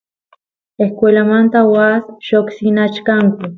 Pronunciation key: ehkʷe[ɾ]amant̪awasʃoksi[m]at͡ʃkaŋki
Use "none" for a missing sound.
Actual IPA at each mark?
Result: l, n

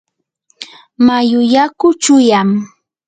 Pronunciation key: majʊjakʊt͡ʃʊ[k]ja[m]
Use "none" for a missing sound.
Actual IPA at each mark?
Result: none, m

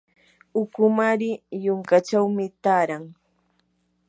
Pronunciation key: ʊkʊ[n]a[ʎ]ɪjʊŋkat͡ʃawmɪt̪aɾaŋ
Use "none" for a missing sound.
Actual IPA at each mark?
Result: m, ɾ

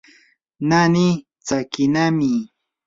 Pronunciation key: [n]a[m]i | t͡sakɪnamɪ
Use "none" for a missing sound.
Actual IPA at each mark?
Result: n, n

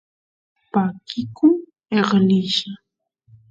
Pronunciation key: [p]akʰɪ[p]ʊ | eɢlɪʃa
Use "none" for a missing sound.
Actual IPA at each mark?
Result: p, k

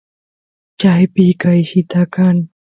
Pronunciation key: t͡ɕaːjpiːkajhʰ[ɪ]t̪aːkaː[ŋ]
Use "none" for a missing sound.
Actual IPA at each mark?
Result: i, n

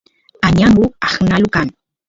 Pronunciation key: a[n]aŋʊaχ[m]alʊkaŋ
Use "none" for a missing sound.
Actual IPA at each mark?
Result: ɲ, n

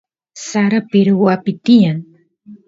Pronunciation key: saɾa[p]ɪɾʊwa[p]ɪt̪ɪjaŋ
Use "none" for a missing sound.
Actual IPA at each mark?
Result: p, p

